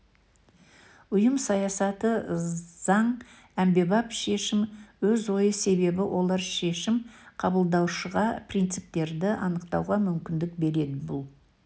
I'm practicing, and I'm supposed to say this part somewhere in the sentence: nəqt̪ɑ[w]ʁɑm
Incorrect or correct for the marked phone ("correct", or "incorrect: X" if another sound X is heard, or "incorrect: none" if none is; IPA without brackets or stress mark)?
correct